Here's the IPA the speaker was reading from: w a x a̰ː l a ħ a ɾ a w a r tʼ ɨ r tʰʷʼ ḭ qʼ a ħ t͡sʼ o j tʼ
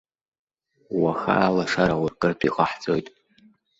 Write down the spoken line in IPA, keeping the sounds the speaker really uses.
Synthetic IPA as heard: w a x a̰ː l a ʂ a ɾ a w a r kʼ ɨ r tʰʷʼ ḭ qʼ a ħ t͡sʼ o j tʼ